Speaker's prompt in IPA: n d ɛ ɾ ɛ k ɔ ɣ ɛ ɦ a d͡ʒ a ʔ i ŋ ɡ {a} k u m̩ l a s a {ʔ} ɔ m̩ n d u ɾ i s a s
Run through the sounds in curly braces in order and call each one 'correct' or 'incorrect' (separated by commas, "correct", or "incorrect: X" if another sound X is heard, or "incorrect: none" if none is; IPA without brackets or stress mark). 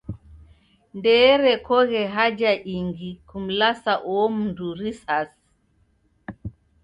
incorrect: i, correct